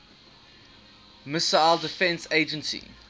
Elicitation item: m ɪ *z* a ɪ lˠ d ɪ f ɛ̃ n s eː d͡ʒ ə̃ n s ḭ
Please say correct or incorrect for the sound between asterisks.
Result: incorrect